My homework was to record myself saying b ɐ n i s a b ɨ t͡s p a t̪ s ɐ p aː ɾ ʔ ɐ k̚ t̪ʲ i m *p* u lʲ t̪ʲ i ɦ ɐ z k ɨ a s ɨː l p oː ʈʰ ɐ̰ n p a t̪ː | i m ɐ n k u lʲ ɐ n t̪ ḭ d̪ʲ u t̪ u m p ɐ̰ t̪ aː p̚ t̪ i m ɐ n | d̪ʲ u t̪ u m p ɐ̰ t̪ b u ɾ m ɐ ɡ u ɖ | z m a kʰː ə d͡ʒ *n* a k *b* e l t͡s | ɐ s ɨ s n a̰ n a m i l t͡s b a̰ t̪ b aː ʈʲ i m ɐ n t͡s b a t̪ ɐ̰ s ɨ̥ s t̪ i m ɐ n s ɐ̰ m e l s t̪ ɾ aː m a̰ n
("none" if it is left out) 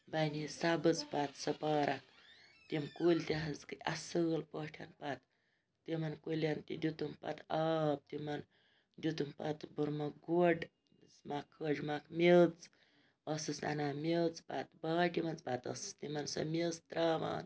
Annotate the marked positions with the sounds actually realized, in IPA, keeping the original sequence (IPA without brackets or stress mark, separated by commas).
k, m, m